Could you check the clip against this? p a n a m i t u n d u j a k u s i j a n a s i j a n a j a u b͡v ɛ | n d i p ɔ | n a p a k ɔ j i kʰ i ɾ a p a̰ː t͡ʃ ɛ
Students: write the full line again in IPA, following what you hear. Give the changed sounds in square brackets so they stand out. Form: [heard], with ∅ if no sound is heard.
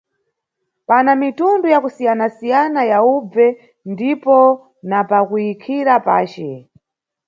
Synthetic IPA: p a n a m i t u n d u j a k u s i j a n a s i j a n a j a u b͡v ɛ | n d i p ɔ | n a p a k [u] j i kʰ i ɾ a p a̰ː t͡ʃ ɛ